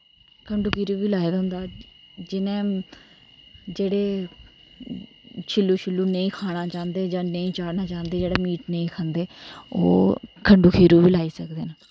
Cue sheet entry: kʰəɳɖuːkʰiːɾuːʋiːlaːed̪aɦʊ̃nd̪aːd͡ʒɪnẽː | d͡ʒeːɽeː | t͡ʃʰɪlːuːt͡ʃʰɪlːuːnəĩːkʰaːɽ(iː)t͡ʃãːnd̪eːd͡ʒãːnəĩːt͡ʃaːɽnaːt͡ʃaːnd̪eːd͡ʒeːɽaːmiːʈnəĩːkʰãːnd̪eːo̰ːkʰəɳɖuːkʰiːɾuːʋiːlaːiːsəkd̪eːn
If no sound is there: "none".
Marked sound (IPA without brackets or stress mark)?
aː